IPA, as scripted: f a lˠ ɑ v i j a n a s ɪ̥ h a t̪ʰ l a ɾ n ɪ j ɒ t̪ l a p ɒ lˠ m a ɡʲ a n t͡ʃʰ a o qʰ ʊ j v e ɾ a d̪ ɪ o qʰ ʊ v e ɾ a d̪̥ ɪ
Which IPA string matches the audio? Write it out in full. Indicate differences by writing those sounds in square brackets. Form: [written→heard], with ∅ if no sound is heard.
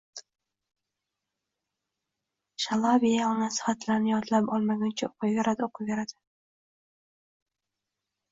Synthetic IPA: [f→ʃ] a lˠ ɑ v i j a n a s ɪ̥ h a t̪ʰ l a ɾ n ɪ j ɒ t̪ l a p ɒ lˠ m a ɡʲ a n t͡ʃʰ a o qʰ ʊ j v e ɾ a d̪ ɪ o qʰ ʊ v e ɾ a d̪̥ ɪ